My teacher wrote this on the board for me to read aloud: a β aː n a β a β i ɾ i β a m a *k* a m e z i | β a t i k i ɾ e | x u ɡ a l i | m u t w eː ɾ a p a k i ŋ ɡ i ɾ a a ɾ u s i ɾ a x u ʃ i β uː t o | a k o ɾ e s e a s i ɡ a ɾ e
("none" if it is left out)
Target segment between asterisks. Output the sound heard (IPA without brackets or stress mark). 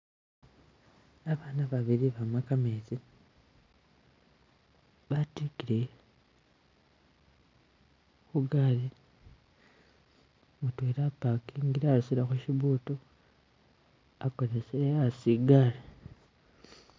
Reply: k